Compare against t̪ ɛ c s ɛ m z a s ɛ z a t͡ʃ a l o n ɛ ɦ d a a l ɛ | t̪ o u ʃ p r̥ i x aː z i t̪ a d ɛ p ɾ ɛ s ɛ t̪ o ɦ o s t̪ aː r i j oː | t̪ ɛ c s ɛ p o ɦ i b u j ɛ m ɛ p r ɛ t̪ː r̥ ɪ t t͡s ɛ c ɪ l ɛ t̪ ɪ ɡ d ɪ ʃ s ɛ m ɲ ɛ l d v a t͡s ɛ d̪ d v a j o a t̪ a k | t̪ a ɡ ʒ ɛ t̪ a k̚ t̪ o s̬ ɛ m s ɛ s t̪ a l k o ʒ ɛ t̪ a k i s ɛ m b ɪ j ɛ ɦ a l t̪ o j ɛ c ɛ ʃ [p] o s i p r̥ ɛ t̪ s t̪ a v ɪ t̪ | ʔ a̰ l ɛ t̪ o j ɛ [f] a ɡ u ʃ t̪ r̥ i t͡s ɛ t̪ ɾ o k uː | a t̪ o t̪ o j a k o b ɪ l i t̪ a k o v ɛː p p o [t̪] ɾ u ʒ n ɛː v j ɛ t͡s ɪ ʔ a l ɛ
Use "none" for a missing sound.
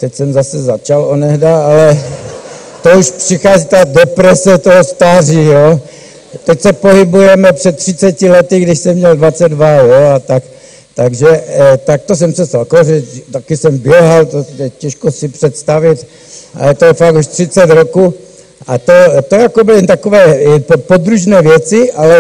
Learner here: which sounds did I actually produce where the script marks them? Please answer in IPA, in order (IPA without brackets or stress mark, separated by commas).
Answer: k, f, d̪